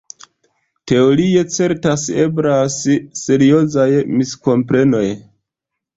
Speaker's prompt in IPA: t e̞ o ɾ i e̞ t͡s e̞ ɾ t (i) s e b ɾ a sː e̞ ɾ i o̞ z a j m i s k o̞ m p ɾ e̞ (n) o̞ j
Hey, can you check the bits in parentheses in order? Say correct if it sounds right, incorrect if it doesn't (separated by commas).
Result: incorrect, correct